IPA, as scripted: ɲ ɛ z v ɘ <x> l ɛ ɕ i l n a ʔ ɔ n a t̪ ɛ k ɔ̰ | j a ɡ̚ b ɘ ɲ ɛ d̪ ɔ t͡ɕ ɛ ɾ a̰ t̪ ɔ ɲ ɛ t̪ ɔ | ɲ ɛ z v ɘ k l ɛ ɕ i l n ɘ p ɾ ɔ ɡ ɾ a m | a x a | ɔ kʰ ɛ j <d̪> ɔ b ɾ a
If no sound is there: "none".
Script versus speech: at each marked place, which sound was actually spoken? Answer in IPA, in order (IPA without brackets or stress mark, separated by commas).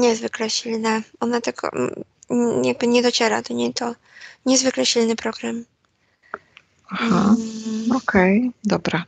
k, d̪